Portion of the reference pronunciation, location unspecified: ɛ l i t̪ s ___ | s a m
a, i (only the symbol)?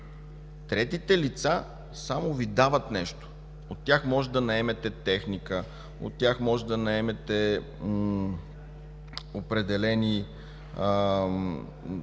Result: a